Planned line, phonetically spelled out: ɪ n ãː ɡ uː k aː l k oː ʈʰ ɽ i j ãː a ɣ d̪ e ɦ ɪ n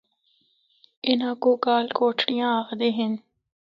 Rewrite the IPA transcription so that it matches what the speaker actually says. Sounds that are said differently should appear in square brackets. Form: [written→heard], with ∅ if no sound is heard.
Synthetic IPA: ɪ n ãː [ɡ→k] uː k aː l k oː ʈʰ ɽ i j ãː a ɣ d̪ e ɦ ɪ n